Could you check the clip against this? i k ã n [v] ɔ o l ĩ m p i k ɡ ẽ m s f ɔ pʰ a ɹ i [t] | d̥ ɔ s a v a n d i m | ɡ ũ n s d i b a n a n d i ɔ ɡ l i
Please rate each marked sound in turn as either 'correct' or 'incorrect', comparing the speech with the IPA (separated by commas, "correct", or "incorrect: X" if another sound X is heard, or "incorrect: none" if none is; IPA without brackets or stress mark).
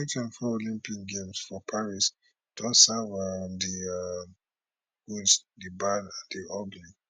incorrect: f, incorrect: s